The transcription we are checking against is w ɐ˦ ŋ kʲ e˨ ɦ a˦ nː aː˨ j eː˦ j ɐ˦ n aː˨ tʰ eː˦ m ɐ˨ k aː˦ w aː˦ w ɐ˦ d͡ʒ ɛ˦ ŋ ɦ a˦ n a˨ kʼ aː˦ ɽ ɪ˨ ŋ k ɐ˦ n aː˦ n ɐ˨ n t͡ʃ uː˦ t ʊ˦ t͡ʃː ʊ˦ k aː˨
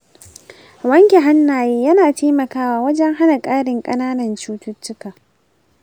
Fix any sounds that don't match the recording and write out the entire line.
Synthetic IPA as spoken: w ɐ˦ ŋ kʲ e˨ ɦ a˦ nː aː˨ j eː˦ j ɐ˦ n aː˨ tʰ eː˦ m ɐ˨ k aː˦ w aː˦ w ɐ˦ d͡ʒ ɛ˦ ŋ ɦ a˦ n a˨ kʼ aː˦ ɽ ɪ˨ ŋ kʼ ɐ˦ n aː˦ n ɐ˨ n t͡ʃ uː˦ t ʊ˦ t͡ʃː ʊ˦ k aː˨